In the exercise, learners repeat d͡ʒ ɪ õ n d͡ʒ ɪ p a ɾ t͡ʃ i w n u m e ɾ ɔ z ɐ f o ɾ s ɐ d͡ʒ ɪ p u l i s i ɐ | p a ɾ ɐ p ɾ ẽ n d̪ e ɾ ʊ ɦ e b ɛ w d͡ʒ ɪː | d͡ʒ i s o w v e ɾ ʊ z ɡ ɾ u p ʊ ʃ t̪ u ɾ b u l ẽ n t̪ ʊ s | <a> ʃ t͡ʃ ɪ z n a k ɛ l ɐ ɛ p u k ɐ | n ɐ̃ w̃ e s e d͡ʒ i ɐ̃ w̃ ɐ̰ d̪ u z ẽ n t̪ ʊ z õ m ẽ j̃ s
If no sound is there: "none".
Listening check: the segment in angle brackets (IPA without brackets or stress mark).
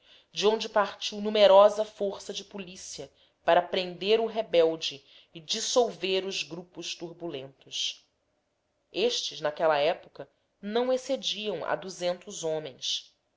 e